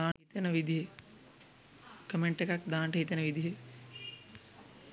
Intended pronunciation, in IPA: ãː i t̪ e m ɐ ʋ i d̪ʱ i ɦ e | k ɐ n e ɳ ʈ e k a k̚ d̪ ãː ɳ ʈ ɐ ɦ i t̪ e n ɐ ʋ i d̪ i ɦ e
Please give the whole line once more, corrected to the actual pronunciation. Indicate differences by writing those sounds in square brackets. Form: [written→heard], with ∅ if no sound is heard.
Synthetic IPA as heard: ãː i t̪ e [m→n] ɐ ʋ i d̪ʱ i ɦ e | k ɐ [n→m] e ɳ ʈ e k a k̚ d̪ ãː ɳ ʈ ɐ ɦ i t̪ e n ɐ ʋ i d̪ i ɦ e